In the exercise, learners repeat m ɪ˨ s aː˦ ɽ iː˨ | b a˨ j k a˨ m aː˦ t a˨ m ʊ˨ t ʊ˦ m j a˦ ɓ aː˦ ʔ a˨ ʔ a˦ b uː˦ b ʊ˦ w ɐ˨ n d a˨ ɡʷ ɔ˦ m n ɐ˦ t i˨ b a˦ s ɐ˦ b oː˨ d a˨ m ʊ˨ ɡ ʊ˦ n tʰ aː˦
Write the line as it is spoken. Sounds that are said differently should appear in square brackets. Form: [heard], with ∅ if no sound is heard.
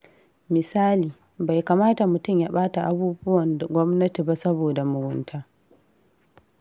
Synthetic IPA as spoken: m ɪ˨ s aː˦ [l] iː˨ | b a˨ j k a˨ m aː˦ t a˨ m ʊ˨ t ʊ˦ m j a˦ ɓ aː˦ [t] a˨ ʔ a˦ b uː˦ b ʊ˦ w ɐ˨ n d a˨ ɡʷ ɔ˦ m n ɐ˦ t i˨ b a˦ s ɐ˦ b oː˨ d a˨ m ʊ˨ ɡ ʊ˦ n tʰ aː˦